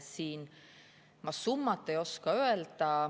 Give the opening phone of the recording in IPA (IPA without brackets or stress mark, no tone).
s